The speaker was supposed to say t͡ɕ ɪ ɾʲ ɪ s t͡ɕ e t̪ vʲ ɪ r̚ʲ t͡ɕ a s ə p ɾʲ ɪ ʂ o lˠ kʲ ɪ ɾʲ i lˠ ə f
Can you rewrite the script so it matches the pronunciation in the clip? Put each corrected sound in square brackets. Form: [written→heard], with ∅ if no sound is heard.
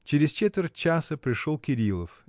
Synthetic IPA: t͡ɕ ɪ ɾʲ ɪ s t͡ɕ e t̪ vʲ ɪ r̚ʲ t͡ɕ a s ə p ɾʲ ɪ ʂ o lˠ kʲ ɪ ɾʲ i lˠ ə f